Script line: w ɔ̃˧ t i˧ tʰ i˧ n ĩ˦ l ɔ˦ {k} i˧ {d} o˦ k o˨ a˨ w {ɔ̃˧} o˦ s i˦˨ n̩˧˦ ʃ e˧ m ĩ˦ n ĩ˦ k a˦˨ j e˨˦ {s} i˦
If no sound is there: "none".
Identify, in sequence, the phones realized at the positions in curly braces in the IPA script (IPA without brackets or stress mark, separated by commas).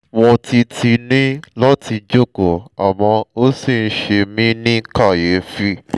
t, d͡ʒ, ɔ̃˧, f